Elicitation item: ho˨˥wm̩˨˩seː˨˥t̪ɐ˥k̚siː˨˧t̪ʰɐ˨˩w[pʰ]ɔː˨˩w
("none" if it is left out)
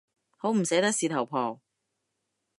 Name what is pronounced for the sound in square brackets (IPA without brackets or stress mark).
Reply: pʰ